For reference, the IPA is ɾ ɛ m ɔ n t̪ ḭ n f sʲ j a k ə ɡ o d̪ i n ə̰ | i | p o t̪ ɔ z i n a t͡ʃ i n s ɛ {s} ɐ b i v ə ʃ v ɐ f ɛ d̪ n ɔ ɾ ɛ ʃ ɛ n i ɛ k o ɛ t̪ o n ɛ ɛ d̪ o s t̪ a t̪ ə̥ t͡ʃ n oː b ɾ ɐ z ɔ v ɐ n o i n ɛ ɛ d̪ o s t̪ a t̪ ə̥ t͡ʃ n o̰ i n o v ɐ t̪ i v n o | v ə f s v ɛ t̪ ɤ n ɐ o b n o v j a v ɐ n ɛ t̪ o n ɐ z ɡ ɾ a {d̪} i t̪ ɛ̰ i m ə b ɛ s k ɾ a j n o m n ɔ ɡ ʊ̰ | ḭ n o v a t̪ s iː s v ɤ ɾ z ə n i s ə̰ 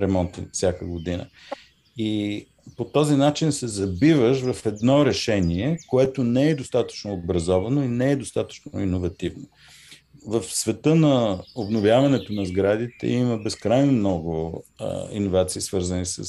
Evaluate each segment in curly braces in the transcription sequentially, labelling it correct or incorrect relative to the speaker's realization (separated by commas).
incorrect, correct